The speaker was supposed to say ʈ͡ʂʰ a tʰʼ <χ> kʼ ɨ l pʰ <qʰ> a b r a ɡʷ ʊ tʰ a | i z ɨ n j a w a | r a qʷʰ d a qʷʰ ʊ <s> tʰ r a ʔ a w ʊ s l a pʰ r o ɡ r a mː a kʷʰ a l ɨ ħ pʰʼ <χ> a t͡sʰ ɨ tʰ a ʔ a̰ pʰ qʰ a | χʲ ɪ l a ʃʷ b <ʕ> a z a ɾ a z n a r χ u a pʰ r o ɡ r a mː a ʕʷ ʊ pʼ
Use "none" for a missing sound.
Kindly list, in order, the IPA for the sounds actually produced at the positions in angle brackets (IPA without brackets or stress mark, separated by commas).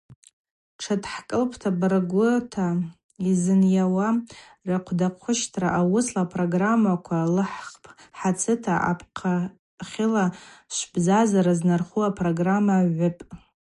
ħ, tʰ, ʃ, ħ, z